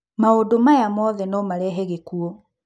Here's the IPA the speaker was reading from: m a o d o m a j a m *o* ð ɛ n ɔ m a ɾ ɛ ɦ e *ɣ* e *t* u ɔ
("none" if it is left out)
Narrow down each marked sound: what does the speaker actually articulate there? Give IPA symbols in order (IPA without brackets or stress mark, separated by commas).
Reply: ɔ, ɣ, k